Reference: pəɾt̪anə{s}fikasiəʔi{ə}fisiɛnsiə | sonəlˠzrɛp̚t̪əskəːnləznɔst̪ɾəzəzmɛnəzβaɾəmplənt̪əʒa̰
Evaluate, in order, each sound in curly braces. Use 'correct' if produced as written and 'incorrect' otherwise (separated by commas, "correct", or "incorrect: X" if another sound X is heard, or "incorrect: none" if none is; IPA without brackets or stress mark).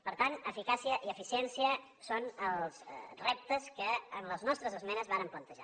incorrect: none, correct